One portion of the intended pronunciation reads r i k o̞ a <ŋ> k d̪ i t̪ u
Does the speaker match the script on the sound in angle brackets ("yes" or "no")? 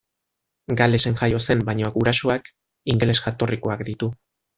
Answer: no